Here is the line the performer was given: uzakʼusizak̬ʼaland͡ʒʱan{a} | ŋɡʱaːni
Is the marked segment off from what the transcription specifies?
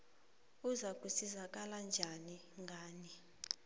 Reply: yes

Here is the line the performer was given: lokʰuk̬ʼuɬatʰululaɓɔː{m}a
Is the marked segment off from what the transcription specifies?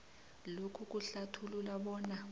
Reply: yes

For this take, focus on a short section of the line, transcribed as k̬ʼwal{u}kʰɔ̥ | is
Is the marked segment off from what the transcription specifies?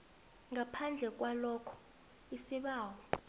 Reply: yes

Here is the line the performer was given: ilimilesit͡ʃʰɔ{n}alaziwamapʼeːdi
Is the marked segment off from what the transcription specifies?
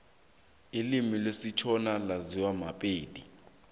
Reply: no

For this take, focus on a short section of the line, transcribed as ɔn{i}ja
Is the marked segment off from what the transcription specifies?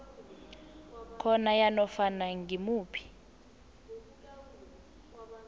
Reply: yes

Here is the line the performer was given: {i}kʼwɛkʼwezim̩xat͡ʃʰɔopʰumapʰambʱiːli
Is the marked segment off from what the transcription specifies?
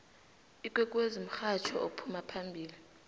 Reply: no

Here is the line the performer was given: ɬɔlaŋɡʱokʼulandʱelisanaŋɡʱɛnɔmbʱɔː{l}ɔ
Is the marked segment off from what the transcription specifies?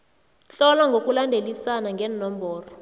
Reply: yes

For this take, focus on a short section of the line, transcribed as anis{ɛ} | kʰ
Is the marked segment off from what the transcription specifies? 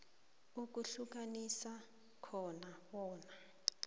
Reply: yes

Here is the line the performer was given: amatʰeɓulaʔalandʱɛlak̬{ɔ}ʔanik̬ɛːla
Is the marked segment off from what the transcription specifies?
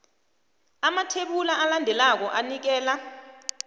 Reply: no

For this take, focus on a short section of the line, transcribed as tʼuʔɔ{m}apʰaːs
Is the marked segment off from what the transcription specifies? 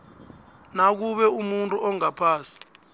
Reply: yes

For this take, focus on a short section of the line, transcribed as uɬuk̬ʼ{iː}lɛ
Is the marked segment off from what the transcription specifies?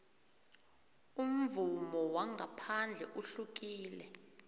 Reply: no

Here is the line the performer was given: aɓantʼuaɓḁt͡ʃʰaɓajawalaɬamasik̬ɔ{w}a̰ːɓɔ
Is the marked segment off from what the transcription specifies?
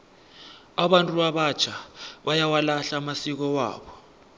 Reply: no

